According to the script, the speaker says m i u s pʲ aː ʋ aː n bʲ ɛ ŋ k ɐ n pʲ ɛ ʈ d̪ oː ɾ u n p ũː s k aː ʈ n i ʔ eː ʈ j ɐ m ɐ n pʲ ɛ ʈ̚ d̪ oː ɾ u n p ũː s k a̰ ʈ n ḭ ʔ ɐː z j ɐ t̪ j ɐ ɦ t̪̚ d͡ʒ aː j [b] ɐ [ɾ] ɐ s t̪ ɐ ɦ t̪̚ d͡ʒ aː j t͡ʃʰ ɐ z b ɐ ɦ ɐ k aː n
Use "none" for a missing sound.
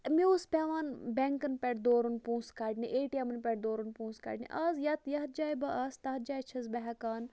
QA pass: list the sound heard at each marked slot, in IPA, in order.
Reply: b, none

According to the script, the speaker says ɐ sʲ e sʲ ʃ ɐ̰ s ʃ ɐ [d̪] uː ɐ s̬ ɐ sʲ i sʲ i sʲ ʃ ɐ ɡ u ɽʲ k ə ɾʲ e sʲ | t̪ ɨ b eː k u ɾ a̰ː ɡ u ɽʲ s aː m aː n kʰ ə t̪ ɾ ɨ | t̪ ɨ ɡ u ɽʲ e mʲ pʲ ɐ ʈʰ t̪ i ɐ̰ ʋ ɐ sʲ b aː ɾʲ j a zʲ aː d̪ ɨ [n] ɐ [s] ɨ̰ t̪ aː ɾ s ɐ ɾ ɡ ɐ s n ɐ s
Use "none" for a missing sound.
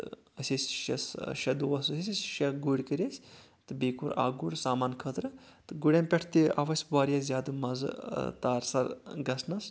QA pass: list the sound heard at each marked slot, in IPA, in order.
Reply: d̪, m, z

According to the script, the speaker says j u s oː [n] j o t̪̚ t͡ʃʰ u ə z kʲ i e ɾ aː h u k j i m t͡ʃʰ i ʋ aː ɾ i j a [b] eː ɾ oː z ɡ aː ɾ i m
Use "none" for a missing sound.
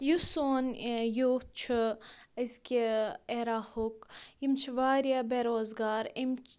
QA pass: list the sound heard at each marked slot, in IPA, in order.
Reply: n, b

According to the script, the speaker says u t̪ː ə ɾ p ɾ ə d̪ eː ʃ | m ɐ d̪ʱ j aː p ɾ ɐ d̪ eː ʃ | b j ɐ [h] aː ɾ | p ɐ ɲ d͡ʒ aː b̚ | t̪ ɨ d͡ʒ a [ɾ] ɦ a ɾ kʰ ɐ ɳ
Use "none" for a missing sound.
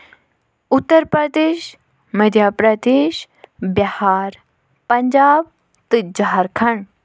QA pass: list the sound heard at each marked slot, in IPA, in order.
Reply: h, none

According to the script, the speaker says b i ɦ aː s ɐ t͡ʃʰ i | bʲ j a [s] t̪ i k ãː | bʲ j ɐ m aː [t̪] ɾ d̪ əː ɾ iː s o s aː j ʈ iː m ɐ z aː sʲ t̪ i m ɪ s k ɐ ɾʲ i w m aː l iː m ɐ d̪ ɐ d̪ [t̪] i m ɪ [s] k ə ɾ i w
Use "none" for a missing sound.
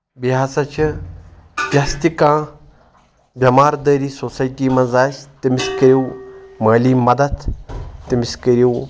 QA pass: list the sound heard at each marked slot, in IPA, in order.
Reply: s, none, t̪, s

